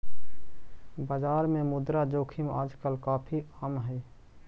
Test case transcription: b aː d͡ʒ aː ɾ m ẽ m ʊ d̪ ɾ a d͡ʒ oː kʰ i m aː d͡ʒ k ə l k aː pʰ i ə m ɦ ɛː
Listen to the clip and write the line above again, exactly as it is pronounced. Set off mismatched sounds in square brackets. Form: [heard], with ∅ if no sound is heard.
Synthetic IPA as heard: b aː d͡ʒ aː ɾ m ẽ m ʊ d̪ ɾ a d͡ʒ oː kʰ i m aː d͡ʒ k ə l k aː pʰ i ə m ɦ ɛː